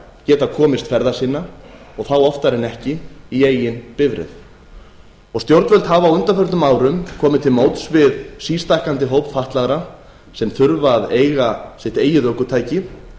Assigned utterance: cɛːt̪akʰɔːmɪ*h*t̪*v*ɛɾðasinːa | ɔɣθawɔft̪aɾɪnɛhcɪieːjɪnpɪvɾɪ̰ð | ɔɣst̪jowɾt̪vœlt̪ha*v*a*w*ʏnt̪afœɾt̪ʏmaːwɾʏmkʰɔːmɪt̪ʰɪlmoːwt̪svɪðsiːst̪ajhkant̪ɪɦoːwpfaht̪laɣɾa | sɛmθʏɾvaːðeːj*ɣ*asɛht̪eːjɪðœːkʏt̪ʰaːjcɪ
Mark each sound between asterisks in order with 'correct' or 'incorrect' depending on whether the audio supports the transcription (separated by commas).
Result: incorrect, incorrect, correct, correct, correct